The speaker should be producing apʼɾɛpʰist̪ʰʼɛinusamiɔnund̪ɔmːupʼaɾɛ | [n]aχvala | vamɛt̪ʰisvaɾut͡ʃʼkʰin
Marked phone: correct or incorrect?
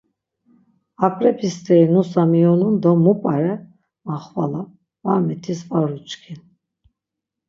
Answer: incorrect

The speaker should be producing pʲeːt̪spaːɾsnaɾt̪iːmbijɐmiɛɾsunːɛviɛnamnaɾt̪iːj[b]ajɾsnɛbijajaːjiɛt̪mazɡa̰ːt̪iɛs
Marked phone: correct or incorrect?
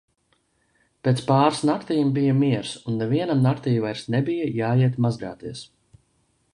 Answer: incorrect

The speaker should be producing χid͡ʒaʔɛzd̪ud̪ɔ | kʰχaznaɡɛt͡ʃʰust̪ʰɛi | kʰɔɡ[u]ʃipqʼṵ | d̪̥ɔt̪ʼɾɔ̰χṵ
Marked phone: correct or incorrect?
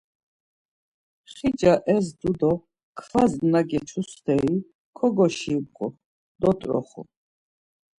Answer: incorrect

